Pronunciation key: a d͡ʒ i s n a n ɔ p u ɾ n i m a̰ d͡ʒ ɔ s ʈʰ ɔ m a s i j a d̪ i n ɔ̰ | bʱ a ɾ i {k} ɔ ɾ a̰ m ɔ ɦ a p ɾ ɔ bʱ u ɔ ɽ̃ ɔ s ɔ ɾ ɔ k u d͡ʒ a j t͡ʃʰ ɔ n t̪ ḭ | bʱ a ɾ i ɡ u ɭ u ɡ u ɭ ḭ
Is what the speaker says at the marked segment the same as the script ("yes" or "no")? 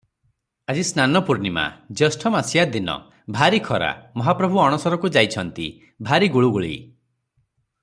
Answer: no